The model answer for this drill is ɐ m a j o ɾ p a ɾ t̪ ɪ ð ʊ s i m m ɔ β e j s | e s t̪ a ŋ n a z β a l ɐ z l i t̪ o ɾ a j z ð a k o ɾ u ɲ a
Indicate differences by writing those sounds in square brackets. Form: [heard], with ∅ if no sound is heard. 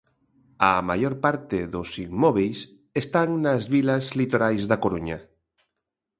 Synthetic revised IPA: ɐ m a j o ɾ p a ɾ t̪ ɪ ð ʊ s i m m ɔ β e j s | e s t̪ a ŋ n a z β [i] l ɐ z l i t̪ o ɾ a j z ð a k o ɾ u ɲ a